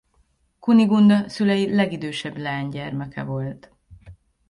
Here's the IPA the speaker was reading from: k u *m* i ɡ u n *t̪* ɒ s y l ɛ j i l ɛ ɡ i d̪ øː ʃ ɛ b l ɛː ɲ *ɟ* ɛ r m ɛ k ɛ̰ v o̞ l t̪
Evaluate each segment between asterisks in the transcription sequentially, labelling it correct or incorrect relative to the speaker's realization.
incorrect: n, incorrect: d̪, correct

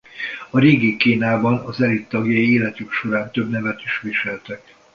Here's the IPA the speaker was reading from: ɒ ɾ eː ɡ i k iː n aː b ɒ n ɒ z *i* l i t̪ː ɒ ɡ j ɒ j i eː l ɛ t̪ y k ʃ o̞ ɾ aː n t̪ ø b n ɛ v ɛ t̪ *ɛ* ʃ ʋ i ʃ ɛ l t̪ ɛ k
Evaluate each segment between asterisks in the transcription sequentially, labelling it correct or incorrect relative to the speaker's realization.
incorrect: ɛ, incorrect: i

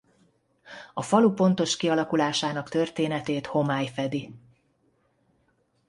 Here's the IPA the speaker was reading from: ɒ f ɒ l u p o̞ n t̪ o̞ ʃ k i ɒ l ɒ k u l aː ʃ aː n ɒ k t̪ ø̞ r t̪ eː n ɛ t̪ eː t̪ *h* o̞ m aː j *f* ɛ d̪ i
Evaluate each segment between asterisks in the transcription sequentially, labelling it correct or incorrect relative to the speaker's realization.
correct, correct

